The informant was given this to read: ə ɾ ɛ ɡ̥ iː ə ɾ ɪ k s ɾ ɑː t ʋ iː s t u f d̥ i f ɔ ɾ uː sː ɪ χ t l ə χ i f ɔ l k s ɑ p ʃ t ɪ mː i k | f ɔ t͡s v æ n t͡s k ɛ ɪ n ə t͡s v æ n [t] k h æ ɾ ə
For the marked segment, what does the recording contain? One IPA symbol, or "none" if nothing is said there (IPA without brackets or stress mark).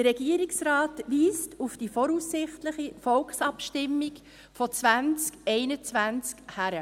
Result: t͡s